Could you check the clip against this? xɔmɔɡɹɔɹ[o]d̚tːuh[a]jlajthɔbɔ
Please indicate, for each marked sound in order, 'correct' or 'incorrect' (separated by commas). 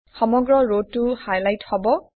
correct, correct